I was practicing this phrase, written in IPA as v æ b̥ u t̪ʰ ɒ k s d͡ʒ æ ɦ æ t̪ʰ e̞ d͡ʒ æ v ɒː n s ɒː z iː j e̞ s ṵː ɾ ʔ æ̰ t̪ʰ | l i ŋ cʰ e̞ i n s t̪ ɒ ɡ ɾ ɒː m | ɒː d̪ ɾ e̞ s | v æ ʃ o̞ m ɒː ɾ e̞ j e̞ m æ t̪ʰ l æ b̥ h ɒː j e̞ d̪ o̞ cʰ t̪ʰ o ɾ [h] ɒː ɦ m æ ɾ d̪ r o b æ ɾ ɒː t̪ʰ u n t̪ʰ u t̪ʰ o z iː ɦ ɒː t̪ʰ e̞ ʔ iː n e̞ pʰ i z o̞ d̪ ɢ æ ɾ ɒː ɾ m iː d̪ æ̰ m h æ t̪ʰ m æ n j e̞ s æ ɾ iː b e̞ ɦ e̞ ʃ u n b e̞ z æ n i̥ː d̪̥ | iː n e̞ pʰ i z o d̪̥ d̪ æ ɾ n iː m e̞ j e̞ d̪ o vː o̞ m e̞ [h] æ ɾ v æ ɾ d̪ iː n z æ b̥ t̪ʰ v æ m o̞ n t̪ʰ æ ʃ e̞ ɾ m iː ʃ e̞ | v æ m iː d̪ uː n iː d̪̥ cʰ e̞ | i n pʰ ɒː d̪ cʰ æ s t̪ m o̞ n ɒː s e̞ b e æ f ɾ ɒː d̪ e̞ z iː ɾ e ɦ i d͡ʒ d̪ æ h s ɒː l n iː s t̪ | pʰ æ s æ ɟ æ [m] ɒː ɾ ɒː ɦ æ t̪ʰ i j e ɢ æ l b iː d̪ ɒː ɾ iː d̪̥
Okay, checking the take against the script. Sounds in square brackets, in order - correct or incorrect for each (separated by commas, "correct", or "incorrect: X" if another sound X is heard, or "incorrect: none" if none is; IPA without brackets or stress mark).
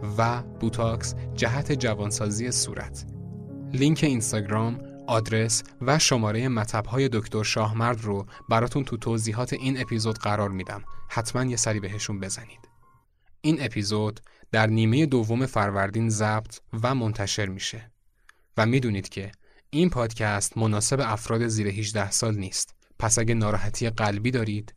incorrect: ʃ, incorrect: f, incorrect: n